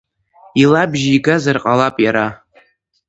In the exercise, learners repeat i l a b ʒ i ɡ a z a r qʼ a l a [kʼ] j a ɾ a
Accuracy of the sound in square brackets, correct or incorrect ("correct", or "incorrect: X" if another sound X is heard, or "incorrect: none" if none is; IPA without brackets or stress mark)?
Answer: incorrect: pʼ